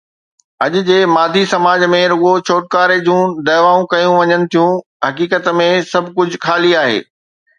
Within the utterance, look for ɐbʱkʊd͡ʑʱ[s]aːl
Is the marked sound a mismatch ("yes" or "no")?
yes